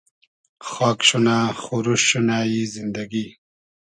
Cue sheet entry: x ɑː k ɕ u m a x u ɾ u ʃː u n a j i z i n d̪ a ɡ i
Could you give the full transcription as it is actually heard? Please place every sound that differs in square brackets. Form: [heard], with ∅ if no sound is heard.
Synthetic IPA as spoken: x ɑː k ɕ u [n] a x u ɾ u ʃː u n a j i z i n d̪ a ɡ i